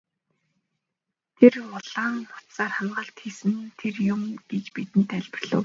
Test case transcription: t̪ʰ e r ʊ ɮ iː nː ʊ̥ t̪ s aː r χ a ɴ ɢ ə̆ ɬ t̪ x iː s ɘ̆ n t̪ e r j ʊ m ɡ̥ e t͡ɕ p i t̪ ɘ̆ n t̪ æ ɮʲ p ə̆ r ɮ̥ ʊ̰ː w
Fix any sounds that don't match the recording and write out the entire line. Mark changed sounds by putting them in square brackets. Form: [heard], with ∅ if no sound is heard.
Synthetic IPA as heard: t̪ʰ e r ʊ ɮ [aː] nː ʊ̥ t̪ s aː r χ a ɴ ɢ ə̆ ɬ t̪ x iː s ɘ̆ n [t̪ʰ] e r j ʊ m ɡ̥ e t͡ɕ p i t̪ ɘ̆ n t̪ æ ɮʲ p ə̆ r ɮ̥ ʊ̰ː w